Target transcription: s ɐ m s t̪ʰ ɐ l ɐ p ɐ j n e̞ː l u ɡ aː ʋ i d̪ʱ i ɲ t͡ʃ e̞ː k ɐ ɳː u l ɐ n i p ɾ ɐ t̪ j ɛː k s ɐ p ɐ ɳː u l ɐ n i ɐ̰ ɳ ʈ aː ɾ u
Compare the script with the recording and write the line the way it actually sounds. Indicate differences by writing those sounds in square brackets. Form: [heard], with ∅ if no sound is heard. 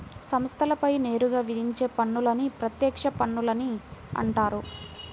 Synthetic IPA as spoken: s ɐ m s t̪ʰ ɐ l ɐ p ɐ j n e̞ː [ɾ] u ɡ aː ʋ i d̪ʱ i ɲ t͡ʃ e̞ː [p] ɐ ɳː u l ɐ n i p ɾ ɐ t̪ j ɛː k [ʂ] ɐ p ɐ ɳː u l ɐ n i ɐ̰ ɳ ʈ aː ɾ u